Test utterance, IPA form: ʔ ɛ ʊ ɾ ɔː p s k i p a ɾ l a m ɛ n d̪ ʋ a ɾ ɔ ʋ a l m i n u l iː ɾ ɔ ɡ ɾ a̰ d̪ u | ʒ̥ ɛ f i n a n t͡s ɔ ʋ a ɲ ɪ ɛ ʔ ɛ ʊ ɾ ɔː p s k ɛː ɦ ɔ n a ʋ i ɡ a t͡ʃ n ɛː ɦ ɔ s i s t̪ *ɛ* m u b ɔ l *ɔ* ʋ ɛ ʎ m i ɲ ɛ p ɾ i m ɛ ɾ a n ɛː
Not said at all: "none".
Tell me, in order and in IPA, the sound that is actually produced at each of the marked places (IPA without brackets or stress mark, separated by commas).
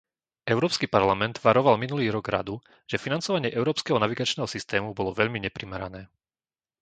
ɛː, ɔ